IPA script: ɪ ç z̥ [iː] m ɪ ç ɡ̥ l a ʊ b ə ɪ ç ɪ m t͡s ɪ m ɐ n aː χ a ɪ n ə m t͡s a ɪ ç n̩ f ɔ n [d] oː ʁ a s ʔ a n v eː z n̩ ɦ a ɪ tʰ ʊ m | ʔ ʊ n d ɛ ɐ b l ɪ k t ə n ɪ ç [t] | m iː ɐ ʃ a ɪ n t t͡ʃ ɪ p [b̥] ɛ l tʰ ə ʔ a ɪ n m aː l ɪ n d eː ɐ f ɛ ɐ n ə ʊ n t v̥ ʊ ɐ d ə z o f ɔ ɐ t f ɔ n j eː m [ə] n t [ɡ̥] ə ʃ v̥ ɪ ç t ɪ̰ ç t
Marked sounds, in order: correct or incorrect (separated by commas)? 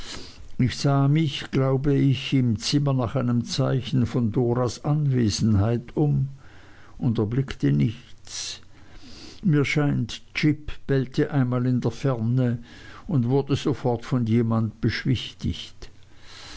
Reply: incorrect, correct, incorrect, correct, incorrect, incorrect